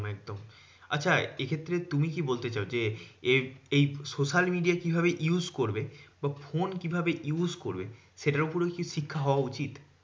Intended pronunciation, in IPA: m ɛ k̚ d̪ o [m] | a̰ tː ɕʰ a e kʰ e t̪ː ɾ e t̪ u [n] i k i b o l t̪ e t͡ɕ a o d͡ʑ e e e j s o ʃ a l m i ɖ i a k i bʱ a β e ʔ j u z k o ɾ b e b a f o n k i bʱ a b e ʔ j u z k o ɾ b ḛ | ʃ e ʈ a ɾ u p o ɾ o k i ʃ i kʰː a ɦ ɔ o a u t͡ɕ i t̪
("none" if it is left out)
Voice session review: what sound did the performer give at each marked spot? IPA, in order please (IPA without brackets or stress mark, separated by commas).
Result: m, m